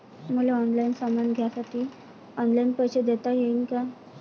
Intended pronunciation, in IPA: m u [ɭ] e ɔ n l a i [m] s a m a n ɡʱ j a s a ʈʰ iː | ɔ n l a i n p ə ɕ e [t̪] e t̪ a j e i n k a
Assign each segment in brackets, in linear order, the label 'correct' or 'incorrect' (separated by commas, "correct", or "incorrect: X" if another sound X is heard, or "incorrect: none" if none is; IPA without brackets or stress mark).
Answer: incorrect: l, incorrect: n, incorrect: d̪